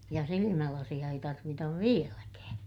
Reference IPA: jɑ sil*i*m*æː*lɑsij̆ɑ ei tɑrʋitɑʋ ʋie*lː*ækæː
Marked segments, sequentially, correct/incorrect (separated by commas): correct, incorrect, incorrect